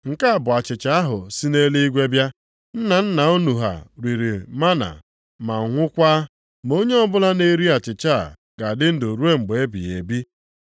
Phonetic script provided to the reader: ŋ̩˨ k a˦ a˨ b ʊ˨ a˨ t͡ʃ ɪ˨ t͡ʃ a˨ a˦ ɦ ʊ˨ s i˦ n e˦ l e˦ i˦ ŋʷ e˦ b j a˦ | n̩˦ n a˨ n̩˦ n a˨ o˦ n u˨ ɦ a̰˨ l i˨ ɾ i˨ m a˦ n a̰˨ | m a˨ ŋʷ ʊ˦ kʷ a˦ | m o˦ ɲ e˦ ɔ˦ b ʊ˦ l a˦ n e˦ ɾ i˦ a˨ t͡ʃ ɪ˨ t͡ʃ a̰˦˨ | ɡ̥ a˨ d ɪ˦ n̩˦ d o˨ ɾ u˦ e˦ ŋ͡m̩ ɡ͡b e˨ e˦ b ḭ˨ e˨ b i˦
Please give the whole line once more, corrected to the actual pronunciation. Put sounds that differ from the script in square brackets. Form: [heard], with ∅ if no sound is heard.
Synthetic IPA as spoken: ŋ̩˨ k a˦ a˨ b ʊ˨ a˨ t͡ʃ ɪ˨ t͡ʃ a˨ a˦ ɦ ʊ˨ s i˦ n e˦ l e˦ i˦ [ɡʷ] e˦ b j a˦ | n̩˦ n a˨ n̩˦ n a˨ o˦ n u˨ ɦ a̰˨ [ɾ] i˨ ɾ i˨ m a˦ n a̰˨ | m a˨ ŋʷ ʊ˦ kʷ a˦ | m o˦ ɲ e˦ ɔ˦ b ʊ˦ l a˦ n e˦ ɾ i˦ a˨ t͡ʃ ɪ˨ t͡ʃ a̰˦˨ | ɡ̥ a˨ d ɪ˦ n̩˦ d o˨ ɾ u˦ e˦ ŋ͡m̩ ɡ͡b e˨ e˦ b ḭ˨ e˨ b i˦